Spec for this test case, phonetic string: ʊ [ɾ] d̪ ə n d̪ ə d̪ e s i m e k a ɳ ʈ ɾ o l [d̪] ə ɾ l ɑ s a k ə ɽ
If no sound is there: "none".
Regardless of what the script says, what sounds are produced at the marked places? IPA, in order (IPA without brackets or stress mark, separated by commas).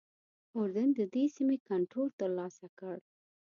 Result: ɾ, t̪